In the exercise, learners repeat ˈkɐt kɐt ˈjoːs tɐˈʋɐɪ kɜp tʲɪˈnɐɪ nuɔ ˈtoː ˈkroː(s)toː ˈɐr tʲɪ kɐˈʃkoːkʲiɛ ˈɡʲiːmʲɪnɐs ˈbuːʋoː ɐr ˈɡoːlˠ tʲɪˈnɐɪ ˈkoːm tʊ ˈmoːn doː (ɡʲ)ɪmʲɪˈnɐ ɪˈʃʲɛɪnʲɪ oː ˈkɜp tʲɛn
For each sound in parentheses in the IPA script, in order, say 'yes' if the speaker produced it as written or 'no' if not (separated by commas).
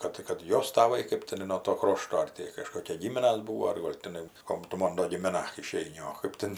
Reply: no, yes